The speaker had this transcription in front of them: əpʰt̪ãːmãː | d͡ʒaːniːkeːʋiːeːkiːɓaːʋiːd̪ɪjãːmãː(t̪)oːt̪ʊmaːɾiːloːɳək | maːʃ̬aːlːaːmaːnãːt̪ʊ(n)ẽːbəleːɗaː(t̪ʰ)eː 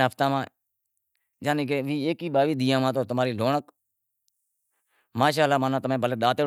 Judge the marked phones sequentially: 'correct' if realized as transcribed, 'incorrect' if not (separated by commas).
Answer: correct, incorrect, incorrect